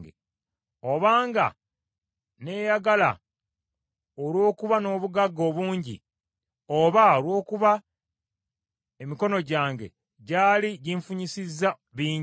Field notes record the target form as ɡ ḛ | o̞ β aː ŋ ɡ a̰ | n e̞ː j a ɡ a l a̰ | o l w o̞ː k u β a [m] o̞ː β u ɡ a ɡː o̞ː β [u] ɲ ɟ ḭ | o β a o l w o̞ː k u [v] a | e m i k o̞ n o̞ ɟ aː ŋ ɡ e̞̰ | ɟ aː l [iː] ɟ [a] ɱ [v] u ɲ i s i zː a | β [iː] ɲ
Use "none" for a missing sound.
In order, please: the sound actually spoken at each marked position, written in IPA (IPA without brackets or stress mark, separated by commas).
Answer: n, uː, β, i, i, f, iː